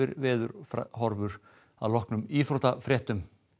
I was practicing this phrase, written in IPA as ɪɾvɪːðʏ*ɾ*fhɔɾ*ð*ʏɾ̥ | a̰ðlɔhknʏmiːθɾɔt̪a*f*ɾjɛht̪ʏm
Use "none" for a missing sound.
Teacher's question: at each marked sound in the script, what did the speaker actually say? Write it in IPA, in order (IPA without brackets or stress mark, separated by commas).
ɾ, v, f